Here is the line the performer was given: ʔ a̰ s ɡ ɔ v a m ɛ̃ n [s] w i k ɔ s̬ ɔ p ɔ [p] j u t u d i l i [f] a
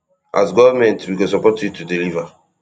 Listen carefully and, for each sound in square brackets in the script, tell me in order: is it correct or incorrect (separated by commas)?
incorrect, incorrect, incorrect